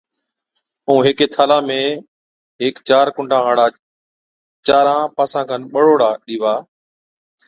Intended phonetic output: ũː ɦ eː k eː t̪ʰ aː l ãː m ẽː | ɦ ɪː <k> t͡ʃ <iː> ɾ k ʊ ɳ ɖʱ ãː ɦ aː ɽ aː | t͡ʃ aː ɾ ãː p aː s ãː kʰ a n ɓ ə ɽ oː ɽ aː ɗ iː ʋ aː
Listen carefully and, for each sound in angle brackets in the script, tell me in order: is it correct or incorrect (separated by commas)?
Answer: correct, incorrect